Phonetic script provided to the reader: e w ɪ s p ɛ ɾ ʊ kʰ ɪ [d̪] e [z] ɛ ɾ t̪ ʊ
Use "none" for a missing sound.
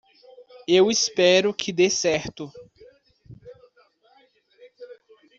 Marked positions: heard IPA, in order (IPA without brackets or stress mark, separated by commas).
d̪, s